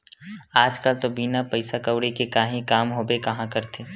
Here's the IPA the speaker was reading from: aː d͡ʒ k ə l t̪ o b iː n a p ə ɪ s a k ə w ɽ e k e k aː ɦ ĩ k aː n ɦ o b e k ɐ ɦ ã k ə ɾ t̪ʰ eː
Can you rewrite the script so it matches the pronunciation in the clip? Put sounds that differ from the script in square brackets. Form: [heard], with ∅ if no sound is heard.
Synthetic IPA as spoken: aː d͡ʒ k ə l t̪ o b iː n a p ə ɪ s a k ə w ɽ e k e k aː ɦ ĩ k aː [m] ɦ o b e k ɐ ɦ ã k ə ɾ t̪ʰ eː